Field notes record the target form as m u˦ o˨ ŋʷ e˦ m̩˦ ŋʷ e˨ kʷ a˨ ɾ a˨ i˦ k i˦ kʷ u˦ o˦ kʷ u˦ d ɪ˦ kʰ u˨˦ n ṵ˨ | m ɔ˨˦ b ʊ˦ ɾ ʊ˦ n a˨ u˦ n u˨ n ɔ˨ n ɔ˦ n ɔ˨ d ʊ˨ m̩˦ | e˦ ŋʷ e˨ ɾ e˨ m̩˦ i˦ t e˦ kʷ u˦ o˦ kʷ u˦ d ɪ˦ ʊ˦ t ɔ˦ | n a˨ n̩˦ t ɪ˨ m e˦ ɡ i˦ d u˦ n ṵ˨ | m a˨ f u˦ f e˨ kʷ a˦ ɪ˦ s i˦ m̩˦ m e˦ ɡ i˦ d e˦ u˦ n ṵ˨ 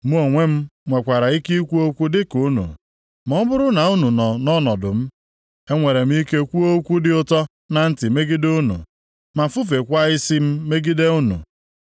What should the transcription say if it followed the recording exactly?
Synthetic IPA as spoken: m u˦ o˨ ŋʷ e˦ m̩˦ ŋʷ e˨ kʷ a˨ ɾ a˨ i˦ k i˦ kʷ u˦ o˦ kʷ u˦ d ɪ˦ k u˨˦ n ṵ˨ | m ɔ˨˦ b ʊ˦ ɾ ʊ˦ n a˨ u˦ n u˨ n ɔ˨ n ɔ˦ n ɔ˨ d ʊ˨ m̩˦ | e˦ ŋʷ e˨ ɾ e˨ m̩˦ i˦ k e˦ kʷ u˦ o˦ kʷ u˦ d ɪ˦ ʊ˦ t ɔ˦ | n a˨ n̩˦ t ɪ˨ m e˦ ɡ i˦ d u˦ n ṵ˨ | m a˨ f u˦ f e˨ kʷ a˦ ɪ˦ s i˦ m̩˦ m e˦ ɡ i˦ d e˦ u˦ n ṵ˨